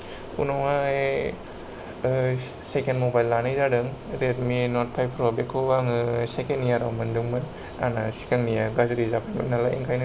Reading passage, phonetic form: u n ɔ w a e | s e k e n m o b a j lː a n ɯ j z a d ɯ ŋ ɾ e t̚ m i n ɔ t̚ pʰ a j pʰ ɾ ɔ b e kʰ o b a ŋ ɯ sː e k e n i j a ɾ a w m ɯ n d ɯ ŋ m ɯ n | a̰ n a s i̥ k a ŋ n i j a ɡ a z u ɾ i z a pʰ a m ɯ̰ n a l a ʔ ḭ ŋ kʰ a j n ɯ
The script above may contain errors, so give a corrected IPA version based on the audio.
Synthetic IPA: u n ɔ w a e | s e k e n m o b a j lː a n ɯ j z a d ɯ ŋ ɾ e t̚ m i n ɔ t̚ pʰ a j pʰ ɾ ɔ b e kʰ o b a ŋ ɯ s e k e n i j a ɾ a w m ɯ n d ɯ ŋ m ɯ n | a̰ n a s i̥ k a ŋ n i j a ɡ a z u ɾ i z a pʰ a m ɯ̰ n a l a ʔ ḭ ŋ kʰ a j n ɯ